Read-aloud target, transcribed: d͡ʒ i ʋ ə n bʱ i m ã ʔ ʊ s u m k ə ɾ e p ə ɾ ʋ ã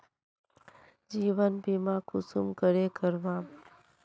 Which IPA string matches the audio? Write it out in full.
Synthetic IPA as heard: d͡ʒ i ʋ ə n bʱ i m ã k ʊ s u m k ə ɾ e k ə ɾ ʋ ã